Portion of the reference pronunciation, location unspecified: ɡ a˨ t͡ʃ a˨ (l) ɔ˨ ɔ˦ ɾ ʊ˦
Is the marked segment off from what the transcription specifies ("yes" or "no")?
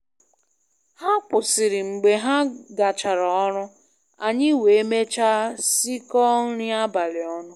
yes